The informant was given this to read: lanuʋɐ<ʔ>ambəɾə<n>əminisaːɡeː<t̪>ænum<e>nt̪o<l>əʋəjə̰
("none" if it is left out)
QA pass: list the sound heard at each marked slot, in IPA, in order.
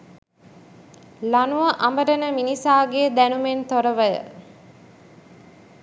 ʔ, n, d̪, e, ɾ

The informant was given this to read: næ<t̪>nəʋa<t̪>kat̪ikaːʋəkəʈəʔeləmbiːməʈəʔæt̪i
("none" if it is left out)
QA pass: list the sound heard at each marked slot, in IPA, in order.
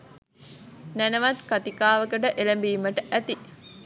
none, t̪

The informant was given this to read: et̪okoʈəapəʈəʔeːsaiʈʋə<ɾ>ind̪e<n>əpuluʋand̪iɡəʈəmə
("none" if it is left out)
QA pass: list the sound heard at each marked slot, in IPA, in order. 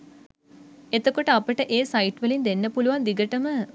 l, nː

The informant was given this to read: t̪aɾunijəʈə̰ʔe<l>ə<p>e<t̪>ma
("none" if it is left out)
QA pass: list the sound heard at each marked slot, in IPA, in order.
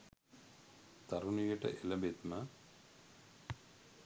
l, b, t̪

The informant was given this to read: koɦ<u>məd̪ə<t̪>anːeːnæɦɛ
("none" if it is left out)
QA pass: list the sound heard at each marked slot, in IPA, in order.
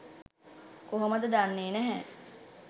o, d̪

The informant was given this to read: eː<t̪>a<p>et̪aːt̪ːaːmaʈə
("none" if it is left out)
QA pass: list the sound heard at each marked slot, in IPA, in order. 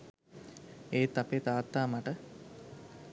t̪, p

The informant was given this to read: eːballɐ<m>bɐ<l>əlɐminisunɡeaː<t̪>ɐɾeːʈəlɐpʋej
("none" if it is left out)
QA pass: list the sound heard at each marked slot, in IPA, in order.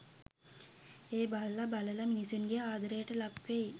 none, l, d̪

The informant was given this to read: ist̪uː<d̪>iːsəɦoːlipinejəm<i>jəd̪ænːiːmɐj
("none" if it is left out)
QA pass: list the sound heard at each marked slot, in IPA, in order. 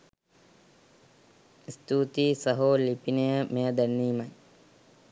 t̪, e

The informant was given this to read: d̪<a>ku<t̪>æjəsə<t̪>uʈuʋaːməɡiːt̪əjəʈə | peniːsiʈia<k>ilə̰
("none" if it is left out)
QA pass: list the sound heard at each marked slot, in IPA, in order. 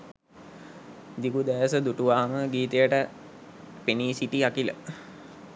i, d̪, d̪, k

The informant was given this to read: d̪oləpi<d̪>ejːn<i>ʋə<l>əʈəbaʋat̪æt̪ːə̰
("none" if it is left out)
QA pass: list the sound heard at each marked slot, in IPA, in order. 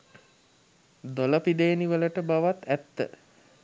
d̪, i, l

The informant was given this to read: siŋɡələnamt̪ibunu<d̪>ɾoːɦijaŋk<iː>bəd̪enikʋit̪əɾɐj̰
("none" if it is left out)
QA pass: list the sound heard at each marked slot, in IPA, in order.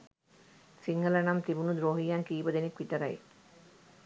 d̪, iː

